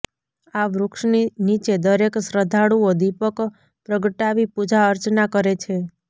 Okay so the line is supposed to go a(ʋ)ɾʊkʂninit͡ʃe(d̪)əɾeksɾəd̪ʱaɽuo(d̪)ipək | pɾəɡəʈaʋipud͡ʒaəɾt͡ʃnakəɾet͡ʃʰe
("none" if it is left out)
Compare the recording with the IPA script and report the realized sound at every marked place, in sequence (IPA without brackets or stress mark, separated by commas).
ʋ, d̪, d̪